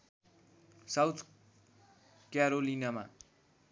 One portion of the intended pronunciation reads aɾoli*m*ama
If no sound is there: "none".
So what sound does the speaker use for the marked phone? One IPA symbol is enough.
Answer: n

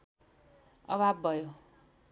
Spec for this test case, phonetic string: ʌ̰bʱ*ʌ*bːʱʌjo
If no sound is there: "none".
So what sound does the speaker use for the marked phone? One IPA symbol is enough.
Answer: a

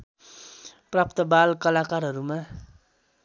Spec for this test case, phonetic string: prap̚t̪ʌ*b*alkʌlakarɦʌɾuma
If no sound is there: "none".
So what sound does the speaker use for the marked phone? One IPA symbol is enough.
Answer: b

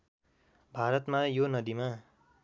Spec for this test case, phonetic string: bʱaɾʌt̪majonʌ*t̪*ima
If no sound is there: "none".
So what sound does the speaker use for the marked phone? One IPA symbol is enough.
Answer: d̪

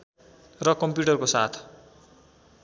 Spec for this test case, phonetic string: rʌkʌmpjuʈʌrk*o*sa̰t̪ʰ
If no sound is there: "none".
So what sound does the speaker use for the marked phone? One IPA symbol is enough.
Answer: o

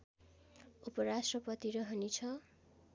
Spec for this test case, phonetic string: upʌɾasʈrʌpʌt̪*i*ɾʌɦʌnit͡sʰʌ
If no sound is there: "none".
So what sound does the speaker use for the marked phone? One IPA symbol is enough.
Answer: i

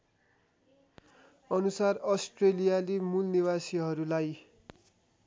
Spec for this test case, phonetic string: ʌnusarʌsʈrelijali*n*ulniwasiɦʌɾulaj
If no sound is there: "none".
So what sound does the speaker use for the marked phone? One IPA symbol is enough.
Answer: m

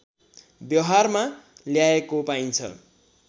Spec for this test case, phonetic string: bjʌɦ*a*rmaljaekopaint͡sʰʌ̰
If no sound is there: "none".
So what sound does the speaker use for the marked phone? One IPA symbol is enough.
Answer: a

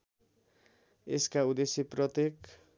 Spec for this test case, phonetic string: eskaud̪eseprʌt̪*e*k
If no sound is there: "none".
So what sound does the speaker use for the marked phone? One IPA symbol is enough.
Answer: e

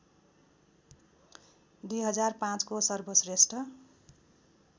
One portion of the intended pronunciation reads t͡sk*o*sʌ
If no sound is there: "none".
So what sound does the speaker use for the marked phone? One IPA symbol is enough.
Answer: o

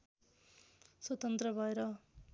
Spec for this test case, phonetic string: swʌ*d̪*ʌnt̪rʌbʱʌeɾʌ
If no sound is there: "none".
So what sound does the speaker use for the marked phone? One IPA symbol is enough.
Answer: t̪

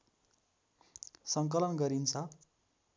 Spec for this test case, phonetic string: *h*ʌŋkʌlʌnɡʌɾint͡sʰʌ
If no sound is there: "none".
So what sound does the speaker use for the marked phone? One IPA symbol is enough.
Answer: s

